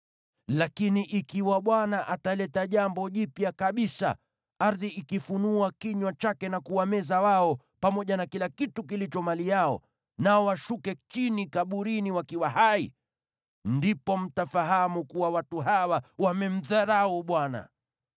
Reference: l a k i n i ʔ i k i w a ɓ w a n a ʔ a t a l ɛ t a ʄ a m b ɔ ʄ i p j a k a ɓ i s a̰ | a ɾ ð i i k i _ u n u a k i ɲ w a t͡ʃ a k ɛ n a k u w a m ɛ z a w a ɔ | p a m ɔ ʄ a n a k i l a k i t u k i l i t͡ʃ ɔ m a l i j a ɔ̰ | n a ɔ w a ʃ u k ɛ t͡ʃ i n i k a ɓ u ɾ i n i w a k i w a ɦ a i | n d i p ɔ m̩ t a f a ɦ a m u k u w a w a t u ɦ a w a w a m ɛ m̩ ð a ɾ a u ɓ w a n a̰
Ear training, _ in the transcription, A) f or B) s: A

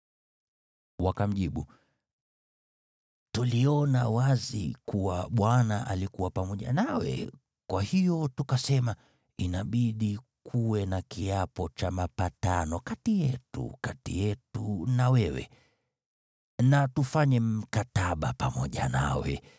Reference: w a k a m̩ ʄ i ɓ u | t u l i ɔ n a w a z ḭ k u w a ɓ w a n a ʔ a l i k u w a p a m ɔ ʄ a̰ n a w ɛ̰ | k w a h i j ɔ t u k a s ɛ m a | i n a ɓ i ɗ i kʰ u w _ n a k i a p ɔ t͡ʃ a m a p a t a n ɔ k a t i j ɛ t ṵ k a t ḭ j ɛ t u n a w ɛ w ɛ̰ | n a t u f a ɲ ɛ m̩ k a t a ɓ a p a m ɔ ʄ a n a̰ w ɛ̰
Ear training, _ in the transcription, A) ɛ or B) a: A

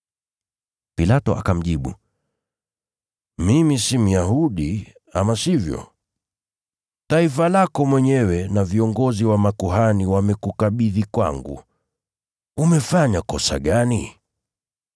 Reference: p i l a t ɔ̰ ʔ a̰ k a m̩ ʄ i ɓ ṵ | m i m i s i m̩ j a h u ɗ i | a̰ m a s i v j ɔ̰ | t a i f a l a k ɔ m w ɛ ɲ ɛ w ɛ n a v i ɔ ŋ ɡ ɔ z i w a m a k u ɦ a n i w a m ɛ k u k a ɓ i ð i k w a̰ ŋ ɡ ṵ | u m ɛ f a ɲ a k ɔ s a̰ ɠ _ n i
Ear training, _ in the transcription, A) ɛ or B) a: B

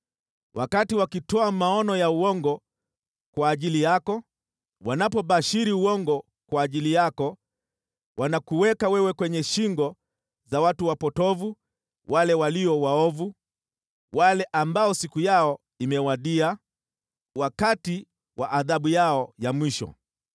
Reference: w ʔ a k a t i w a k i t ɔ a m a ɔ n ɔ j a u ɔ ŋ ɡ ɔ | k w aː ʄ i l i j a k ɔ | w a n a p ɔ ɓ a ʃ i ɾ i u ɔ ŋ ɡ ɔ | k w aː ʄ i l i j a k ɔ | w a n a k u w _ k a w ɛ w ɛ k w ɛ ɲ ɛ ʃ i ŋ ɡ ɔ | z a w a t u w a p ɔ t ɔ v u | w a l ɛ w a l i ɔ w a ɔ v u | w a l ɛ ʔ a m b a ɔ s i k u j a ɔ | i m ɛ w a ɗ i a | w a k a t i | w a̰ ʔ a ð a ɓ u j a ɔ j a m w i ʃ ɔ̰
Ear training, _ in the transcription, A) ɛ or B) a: A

